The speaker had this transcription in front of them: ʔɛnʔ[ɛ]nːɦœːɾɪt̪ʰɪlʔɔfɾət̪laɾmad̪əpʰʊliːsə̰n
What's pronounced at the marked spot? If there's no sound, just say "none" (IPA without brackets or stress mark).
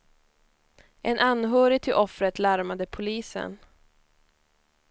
a